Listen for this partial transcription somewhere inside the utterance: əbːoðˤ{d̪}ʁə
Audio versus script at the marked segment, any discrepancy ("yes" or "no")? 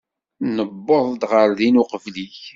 no